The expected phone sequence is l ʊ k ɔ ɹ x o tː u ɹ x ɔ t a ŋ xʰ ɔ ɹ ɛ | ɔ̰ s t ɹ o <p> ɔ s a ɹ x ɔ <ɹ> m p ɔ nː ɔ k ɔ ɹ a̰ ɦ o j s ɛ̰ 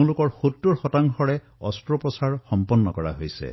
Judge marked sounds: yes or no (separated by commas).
yes, no